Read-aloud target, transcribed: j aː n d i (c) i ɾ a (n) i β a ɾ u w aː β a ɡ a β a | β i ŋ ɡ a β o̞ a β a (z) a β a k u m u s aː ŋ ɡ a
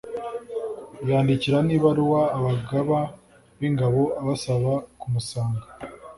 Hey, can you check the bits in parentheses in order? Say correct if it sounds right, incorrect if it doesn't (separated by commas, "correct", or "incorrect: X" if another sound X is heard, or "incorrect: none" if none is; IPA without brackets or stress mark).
correct, correct, incorrect: s